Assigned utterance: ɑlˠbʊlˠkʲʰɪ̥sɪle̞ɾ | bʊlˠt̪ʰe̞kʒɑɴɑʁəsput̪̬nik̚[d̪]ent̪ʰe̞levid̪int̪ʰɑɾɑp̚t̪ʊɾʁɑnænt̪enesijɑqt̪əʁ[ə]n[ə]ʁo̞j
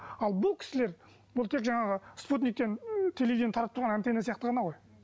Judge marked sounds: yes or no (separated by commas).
no, no, no